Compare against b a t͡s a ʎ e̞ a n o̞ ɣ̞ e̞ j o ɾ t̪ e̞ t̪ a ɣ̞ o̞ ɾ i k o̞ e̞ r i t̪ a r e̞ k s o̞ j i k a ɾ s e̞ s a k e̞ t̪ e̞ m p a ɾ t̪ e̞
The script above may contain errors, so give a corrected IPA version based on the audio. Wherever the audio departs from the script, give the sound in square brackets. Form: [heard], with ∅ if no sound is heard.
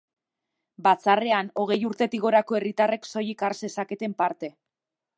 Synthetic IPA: b a t͡s a [r] e̞ a n o̞ ɣ̞ e̞ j [u] ɾ t̪ e̞ t̪ [i] ɣ̞ o̞ ɾ [a] k o̞ e̞ r i t̪ a r e̞ k s o̞ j i k a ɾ s e̞ s a k e̞ t̪ e̞ m p a ɾ t̪ e̞